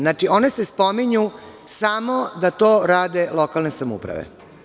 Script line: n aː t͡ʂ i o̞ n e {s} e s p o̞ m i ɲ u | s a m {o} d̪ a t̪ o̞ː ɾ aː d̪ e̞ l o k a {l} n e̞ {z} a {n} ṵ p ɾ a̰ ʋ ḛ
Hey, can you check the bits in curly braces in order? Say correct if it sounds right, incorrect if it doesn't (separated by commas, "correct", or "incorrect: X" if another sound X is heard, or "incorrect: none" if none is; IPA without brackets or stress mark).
correct, correct, correct, incorrect: s, incorrect: m